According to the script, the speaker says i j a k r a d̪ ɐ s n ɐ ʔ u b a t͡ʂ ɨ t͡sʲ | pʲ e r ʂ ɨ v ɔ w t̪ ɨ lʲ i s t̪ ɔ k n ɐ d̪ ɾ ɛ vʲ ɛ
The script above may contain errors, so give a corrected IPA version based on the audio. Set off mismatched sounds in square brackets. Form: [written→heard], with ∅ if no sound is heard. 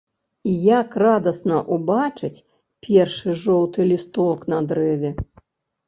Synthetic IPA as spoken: i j a k r a d̪ ɐ s n ɐ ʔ u b a t͡ʂ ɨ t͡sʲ | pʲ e r ʂ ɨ [v→ʐ] ɔ w t̪ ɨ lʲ i s t̪ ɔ k n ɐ d̪ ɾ ɛ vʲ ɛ